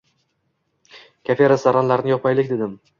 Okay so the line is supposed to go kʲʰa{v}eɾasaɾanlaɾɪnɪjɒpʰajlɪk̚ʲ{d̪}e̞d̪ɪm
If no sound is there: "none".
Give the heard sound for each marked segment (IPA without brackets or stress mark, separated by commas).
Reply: f, d̪